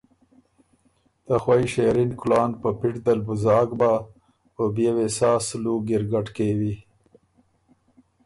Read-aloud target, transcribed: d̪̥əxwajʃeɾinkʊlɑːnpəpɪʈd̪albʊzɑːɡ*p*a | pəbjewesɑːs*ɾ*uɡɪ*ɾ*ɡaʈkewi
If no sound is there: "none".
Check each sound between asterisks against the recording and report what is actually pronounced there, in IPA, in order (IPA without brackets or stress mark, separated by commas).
b, l, ɾ